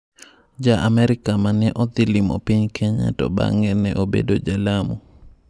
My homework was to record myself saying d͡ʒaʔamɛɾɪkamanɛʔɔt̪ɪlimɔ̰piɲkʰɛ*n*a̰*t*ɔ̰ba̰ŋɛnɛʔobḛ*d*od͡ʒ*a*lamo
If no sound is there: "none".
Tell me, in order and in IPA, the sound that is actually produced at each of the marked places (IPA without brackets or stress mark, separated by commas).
ɲ, t, d, a